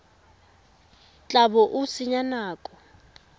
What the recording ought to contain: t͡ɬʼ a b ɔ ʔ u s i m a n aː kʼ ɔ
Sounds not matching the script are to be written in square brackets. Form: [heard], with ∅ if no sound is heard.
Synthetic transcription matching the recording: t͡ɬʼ a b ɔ ʔ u s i [ɲ] a n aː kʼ ɔ

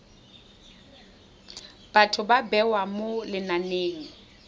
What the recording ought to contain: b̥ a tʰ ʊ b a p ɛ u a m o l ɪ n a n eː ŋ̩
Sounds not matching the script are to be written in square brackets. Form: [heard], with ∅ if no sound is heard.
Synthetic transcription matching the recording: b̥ a tʰ ʊ b a [b] ɛ [w] a m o l ɪ n a n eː ŋ̩

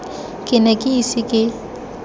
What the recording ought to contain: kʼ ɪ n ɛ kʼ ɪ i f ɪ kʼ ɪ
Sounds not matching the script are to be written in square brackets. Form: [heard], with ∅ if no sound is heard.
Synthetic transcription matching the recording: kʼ ɪ n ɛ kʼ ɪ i [s] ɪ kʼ ɪ

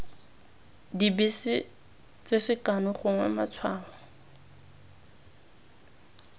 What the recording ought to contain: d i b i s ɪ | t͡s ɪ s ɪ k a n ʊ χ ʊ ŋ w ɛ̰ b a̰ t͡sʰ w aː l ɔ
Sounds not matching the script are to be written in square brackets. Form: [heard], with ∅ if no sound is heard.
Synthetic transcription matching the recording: d i b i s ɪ | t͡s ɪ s ɪ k a n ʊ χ ʊ ŋ w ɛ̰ [m] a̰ t͡sʰ w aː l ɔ

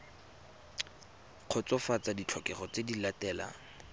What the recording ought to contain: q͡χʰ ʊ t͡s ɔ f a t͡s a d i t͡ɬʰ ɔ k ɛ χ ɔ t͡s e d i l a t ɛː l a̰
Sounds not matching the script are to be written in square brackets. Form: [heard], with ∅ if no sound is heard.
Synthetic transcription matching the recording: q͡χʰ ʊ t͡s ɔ f a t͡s a d i t͡ɬʰ ɔ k ɛ χ ɔ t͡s e d i l a t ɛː l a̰

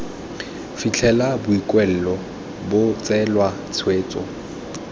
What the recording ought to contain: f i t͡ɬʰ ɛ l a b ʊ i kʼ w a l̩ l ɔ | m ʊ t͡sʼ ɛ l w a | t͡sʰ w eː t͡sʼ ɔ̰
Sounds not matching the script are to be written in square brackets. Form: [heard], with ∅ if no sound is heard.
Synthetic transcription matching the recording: f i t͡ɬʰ ɛ l a b ʊ i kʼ w [ɛ] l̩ l ɔ | [b] ʊ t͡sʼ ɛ l w a | t͡sʰ w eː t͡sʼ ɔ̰

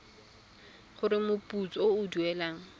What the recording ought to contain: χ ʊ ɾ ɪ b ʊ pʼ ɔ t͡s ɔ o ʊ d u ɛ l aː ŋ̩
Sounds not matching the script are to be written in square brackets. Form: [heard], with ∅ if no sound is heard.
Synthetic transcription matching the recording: χ ʊ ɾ ɪ [m] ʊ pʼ [u] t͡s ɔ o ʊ d u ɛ l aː ŋ̩

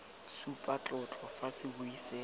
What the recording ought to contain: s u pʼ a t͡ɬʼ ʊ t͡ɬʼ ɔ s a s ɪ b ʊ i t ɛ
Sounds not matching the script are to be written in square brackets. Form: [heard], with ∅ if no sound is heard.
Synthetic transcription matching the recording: s u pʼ a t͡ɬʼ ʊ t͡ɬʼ ɔ [f] a s ɪ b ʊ i [s] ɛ

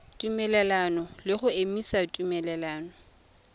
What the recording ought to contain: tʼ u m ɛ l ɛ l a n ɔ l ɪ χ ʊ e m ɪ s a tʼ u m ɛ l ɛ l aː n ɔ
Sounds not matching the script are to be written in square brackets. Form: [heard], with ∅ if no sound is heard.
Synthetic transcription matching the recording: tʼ u m ɛ l ɛ l a n ɔ l ɪ χ ʊ e m [i] s a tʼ u m ɛ l ɛ l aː n ɔ

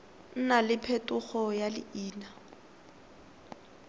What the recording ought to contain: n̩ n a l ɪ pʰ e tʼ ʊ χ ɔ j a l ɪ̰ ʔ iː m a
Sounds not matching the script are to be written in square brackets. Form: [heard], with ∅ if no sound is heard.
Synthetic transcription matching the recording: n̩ n a l ɪ pʰ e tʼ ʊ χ ɔ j a l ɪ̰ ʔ iː [n] a

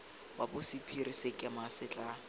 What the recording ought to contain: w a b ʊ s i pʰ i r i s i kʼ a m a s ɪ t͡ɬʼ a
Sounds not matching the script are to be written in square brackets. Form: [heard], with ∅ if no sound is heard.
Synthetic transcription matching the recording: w a b ʊ s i pʰ i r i s [e] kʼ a m a s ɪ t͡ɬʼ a

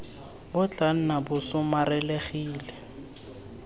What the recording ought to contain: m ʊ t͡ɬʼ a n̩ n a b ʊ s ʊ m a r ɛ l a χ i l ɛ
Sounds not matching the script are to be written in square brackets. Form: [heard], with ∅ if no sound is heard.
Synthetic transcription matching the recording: [b] ʊ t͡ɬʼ a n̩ n a b ʊ s ʊ m a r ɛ l [e] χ [iː] l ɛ

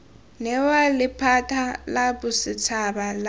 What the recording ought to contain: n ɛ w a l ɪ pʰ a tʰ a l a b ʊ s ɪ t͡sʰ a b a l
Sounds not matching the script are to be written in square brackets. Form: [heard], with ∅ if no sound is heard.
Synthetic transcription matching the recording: n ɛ w a l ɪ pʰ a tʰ a l a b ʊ s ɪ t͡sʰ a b a l

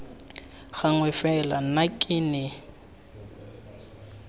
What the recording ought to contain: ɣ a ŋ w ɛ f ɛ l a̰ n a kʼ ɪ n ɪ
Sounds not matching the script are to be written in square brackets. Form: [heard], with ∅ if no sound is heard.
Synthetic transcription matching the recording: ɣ a ŋ w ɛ f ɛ l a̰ n a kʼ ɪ n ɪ

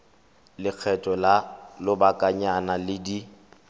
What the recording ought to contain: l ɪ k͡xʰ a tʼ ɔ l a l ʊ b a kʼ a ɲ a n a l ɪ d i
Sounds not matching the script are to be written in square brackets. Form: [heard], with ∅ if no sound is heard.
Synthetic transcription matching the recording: l ɪ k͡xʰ [ɛ] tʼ ɔ l a l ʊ b a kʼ a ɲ a n a l ɪ d i

